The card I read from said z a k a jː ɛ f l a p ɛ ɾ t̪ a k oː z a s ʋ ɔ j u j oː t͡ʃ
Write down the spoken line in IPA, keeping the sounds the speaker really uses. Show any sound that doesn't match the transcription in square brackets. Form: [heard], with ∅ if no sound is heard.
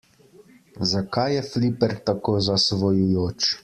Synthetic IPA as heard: z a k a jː ɛ f l [i] p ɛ ɾ t̪ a k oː z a s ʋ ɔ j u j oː t͡ʃ